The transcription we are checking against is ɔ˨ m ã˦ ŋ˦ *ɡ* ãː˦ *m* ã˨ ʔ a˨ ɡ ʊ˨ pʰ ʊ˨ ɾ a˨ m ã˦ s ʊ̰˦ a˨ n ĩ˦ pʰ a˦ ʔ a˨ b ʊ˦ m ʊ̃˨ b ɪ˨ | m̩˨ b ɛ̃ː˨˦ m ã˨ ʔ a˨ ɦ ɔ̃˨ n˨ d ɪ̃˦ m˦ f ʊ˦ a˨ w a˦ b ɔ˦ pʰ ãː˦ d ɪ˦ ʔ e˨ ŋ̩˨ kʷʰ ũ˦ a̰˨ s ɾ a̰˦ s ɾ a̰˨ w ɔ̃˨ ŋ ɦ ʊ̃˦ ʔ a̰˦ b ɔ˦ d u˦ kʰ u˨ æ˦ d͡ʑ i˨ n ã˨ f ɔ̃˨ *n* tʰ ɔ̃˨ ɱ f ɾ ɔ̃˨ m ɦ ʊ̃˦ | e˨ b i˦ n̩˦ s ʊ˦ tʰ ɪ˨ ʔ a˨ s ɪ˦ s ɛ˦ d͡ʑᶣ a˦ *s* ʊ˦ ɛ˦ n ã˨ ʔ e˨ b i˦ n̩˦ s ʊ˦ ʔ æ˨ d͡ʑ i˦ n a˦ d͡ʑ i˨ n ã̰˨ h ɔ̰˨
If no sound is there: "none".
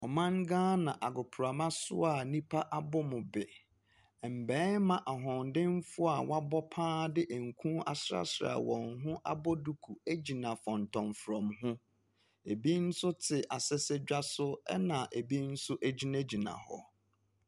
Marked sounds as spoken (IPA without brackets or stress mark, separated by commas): ɡ, n, n, s